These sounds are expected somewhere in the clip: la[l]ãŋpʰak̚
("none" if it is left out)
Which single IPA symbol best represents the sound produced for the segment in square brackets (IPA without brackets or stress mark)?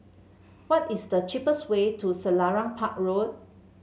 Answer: ɹ